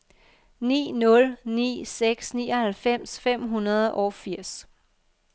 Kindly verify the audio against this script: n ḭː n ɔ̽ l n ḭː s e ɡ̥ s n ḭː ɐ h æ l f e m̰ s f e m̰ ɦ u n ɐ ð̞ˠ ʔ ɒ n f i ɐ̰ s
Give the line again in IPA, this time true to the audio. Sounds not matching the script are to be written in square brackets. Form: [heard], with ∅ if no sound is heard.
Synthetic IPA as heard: n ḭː n ɔ̽ l n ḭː s e ɡ̥ s n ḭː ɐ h æ l f e m̰ s f e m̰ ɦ u n ɐ ð̞ˠ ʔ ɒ [∅] f i ɐ̰ s

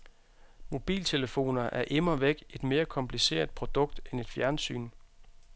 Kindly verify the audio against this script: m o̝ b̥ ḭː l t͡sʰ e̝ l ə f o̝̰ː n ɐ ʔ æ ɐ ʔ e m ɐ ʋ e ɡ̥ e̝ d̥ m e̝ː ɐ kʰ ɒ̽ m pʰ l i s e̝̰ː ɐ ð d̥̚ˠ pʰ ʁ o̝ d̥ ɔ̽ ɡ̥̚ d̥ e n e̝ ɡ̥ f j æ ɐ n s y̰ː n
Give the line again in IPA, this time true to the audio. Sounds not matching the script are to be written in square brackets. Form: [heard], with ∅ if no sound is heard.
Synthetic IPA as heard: m o̝ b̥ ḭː l t͡sʰ e̝ l ə f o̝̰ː n ɐ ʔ æ ɐ ʔ e m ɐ ʋ e ɡ̥ e̝ d̥ m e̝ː ɐ kʰ ɒ̽ m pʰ l i s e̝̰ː ɐ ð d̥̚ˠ pʰ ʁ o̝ d̥ ɔ̽ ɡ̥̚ d̥ e n e̝ [d̥] f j æ ɐ n s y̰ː n

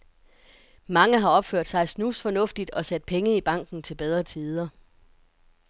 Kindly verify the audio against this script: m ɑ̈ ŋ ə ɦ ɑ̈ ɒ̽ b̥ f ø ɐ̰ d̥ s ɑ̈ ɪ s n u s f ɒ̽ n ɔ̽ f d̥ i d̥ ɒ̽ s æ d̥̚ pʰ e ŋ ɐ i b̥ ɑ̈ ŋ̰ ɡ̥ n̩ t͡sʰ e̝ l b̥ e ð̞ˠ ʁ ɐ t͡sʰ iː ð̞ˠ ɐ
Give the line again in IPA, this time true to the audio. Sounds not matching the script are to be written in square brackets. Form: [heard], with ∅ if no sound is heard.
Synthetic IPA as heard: m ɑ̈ ŋ ə ɦ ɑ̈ ɒ̽ b̥ f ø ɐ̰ d̥ s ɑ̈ ɪ s n u s f ɒ̽ n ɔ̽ f d̥ i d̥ ɒ̽ s æ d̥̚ pʰ e ŋ [ə] i b̥ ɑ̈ ŋ̰ ɡ̥ n̩ t͡sʰ e̝ l b̥ e ð̞ˠ ʁ ɐ t͡sʰ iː ð̞ˠ ɐ

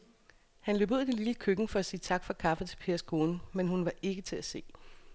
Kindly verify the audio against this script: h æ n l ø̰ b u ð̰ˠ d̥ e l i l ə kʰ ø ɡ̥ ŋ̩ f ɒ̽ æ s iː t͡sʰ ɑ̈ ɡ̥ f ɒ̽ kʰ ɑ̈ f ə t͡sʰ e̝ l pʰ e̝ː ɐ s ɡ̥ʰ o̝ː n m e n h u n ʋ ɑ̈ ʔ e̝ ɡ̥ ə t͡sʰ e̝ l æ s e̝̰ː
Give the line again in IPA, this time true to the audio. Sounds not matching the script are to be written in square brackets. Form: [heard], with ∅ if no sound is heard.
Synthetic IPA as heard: h æ n l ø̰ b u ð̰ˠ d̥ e l i l ə kʰ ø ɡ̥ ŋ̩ f ɒ̽ æ s iː t͡sʰ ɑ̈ ɡ̥ f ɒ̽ kʰ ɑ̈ f ə t͡sʰ e̝ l pʰ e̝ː ɐ s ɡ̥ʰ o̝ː n m e n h u n ʋ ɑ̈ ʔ e̝ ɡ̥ ə t͡sʰ e̝ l æ s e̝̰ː

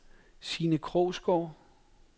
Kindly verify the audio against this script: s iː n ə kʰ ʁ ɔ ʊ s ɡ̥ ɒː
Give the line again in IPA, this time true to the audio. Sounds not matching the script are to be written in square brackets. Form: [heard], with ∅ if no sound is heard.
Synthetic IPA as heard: s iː n ə kʰ ʁ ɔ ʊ s ɡ̥ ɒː

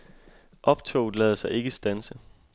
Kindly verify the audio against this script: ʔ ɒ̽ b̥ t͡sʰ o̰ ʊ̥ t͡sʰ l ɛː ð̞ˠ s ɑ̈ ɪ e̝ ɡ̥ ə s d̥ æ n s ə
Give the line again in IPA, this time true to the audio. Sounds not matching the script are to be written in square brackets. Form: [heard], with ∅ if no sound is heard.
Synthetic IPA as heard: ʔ ɒ̽ b̥ t͡sʰ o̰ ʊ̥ [∅] l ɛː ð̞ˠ s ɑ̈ ɪ e̝ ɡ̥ ə s d̥ æ n s ə

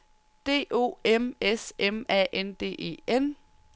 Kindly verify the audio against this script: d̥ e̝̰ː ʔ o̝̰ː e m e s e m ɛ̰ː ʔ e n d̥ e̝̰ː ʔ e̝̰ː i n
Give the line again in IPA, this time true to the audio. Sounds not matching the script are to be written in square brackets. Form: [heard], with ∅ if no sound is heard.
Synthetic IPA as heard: d̥ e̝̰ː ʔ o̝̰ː e m e s e m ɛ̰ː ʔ e n d̥ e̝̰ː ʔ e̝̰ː [e] n

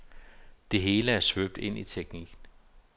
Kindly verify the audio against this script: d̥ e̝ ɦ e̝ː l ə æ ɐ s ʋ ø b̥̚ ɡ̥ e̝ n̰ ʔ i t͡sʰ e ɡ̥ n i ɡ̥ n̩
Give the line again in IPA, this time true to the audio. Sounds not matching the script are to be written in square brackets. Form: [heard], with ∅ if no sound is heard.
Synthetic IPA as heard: d̥ e̝ ɦ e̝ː l ə æ ɐ s ʋ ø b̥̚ [d̥] e̝ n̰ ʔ i t͡sʰ e ɡ̥ n i ɡ̥ n̩

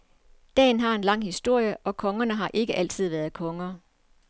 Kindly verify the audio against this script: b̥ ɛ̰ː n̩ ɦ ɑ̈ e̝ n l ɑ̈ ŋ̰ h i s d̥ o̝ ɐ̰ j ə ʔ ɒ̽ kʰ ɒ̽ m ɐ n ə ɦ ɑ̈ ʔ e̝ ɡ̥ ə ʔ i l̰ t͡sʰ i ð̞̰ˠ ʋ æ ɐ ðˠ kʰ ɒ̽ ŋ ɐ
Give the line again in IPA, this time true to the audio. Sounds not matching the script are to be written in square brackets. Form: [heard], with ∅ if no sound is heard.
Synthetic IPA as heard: [d̥] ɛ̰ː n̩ ɦ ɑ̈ e̝ n l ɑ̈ ŋ̰ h i s d̥ o̝ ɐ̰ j ə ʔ ɒ̽ kʰ ɒ̽ [ŋ] ɐ n ə ɦ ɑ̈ ʔ e̝ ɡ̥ ə ʔ [æ] l̰ t͡sʰ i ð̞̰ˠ ʋ æ ɐ ðˠ kʰ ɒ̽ ŋ ɐ

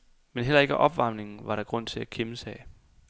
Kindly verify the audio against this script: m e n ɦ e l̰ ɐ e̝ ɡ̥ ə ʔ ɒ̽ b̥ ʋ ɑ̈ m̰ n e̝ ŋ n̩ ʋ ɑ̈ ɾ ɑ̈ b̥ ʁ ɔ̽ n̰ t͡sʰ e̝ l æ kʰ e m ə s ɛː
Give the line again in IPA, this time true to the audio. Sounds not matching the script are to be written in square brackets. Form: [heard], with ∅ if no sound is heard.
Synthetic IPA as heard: m e n ɦ e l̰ ɐ e̝ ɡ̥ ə ʔ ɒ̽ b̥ ʋ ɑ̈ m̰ n e̝ ŋ n̩ ʋ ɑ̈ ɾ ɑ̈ [ɡ̥] ʁ ɔ̽ n̰ t͡sʰ e̝ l æ kʰ e m ə s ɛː

